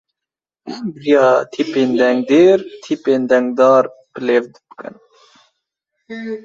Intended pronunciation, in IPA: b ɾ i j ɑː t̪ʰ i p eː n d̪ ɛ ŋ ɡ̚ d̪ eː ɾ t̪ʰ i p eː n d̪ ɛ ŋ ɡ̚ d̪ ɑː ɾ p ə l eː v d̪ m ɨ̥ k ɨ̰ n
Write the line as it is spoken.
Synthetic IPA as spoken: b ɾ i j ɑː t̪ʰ i p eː n d̪ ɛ ŋ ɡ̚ d̪ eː ɾ t̪ʰ i p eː n d̪ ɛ ŋ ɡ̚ d̪ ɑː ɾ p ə l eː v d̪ b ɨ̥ k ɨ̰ n